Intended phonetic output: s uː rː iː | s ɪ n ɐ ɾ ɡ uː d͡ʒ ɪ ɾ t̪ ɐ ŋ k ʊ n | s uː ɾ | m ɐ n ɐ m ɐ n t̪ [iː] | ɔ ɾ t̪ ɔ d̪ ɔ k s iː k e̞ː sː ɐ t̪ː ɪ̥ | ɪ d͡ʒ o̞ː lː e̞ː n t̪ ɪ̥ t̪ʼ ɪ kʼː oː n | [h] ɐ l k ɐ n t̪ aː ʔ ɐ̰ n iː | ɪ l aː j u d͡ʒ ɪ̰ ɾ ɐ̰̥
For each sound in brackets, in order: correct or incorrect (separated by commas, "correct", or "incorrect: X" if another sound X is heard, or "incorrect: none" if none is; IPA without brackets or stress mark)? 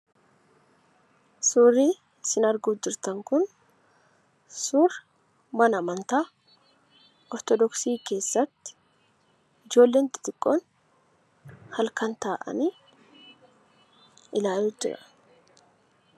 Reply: incorrect: aː, correct